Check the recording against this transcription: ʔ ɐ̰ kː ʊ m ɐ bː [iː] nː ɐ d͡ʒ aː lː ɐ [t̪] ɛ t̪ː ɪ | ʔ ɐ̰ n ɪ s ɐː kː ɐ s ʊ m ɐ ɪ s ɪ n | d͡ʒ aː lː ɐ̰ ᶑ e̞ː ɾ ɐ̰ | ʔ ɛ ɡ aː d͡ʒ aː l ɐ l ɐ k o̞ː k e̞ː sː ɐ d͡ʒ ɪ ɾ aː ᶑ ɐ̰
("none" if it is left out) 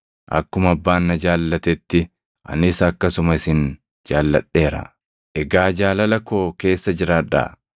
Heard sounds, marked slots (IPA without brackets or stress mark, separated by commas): aː, t̪